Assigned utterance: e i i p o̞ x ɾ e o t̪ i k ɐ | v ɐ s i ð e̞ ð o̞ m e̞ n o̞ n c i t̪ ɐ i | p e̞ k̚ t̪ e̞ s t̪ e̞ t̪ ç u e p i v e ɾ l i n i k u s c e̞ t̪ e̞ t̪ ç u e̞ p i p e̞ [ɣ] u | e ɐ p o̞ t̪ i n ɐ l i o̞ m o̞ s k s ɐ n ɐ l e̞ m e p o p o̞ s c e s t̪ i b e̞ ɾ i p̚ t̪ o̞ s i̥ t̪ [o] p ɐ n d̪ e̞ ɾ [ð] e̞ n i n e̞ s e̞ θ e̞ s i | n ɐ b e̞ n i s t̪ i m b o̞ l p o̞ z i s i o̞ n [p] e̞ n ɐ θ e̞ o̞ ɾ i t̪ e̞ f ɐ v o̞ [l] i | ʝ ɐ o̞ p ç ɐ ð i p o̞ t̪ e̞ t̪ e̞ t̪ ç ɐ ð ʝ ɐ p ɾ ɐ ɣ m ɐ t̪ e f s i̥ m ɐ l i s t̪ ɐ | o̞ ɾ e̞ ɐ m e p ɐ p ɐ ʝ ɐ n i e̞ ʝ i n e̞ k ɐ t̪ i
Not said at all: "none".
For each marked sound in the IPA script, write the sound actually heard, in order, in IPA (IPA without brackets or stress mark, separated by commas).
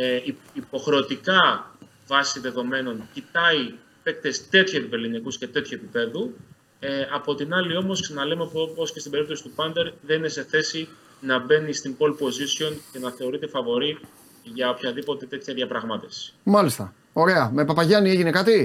ð, u, ð, c, ɾ